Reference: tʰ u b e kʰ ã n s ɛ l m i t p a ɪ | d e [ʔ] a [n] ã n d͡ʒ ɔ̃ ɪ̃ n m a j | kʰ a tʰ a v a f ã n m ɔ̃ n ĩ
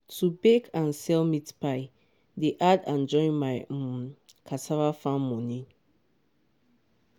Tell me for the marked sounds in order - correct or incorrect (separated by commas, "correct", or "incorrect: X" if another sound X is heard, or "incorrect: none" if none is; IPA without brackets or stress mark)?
correct, incorrect: d